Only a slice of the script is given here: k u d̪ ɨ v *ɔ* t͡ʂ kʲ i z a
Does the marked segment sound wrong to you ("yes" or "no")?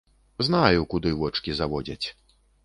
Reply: no